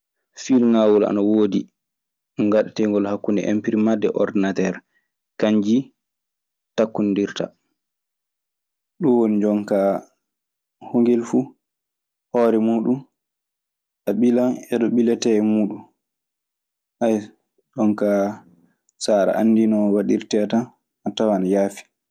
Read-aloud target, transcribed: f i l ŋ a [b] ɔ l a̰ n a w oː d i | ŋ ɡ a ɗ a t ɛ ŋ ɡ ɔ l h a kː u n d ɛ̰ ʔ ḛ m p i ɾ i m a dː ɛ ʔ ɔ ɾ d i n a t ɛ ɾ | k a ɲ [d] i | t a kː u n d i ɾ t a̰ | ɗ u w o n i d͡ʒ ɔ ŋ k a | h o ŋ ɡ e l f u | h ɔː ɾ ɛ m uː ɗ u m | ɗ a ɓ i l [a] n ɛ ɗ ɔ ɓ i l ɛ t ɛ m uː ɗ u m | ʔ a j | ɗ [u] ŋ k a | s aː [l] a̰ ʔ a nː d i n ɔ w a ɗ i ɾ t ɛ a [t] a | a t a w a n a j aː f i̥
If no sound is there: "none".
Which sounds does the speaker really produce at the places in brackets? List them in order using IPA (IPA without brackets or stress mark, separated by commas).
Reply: w, d͡ʒ, a, ɔ, ɾ, t